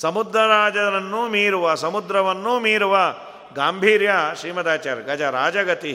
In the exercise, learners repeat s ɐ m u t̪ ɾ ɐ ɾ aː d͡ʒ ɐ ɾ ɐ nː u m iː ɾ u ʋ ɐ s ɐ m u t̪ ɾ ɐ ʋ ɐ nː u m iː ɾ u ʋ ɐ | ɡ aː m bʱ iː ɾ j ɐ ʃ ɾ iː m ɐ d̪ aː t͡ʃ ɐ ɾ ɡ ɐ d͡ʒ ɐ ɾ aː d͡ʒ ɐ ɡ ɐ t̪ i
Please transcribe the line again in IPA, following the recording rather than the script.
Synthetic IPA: s ɐ m u d̪ ɾ ɐ ɾ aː d͡ʒ ɐ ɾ ɐ nː u m iː ɾ u ʋ ɐ s ɐ m u d̪ ɾ ɐ ʋ ɐ nː u m iː ɾ u ʋ ɐ | ɡ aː m bʱ iː ɾ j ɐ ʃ ɾ iː m ɐ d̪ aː t͡ʃ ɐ ɾ ɡ ɐ d͡ʒ ɐ ɾ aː d͡ʒ ɐ ɡ ɐ t̪ i